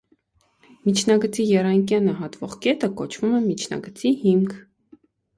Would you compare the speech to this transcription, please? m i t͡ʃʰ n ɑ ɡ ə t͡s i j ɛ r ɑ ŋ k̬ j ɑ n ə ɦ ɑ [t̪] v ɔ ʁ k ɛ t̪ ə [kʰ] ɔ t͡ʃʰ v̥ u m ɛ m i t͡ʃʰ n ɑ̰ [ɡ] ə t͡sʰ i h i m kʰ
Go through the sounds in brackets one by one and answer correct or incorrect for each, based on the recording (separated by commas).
correct, incorrect, correct